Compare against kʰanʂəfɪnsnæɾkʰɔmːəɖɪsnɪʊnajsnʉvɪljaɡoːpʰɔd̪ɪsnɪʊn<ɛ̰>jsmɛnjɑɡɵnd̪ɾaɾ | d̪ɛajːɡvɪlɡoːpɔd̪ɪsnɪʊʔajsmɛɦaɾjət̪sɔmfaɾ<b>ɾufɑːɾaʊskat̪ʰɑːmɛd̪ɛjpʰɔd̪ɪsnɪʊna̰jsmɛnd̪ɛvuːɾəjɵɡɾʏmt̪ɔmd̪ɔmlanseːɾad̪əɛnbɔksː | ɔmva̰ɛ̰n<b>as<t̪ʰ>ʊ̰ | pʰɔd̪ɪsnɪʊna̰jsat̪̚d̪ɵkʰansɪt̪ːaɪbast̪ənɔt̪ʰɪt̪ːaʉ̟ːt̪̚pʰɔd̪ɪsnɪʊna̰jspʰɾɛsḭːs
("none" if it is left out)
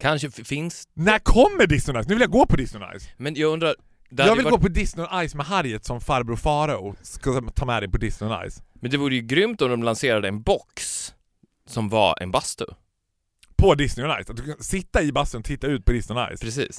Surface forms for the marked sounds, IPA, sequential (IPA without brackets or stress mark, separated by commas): a̰, b, b, t̪